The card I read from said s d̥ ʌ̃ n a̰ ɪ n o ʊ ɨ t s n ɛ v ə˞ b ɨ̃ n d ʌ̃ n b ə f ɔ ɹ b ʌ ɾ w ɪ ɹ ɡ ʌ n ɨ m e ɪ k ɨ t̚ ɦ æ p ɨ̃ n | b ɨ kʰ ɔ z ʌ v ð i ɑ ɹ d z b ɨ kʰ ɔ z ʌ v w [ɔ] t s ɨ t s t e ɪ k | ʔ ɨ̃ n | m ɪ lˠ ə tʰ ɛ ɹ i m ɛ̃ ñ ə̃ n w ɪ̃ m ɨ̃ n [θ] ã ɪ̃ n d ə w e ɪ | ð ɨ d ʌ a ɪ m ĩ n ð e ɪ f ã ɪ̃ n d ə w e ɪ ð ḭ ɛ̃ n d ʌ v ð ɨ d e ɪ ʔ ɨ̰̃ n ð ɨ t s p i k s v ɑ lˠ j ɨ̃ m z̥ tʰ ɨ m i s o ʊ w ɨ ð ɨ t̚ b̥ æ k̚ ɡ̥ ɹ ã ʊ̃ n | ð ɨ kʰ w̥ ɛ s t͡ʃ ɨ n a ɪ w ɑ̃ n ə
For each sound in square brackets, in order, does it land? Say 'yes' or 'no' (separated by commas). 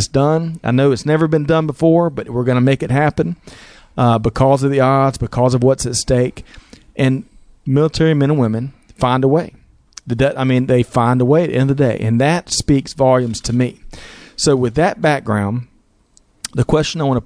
no, no